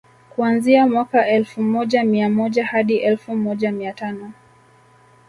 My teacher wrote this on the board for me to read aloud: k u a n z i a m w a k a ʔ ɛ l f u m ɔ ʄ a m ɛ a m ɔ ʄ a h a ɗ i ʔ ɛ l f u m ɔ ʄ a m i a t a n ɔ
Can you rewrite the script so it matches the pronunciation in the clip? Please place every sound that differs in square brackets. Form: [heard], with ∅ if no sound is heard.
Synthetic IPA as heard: k u a n z i a m w a k a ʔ ɛ l f u m ɔ ʄ a m [i] a m ɔ ʄ a h a ɗ i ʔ ɛ l f u m ɔ ʄ a m i a t a n ɔ